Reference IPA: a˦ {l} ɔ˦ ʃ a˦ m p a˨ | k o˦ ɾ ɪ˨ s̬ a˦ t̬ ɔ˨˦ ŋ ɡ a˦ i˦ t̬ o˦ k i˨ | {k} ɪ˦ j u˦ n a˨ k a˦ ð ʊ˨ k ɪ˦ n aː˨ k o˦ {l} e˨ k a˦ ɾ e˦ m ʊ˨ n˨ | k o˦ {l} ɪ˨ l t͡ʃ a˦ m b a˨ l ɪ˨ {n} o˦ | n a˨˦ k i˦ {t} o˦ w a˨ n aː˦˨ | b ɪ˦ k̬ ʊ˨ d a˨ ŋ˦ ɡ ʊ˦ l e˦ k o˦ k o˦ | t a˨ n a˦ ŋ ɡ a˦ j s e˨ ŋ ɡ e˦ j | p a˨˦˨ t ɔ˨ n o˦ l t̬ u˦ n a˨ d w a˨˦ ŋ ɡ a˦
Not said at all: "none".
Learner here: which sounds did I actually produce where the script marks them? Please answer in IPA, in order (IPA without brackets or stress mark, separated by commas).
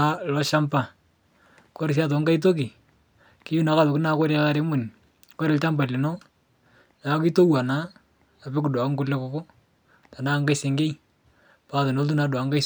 l, k, ɾ, ɾ, n, t